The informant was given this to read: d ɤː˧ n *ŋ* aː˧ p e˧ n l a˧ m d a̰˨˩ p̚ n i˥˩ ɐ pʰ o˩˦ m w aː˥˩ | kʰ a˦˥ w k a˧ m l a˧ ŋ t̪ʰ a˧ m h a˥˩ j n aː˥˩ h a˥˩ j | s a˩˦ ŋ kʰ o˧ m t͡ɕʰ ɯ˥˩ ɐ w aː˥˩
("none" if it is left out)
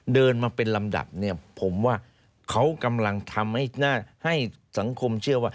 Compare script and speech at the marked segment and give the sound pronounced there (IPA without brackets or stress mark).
m